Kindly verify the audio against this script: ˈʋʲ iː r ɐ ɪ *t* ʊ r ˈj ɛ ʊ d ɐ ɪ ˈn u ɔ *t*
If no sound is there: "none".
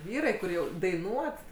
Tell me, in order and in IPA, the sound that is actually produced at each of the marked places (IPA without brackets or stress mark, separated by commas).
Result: k, t